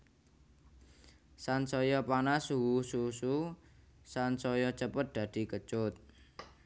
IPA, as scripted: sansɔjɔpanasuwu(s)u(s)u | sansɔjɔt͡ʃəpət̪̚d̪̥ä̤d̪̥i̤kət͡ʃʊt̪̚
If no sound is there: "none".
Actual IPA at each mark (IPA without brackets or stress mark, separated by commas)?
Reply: s, s